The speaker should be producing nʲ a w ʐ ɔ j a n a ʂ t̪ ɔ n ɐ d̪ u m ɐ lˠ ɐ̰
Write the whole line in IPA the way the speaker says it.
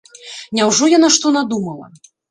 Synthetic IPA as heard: nʲ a w ʐ ɔ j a n a ʂ t̪ ɔ n a d̪ u m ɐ lˠ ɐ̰